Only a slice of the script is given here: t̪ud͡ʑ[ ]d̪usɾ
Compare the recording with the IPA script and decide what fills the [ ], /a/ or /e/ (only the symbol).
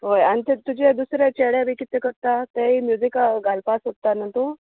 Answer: e